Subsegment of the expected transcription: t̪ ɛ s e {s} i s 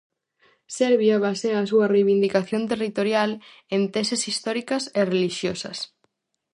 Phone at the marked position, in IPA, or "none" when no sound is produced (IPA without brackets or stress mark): s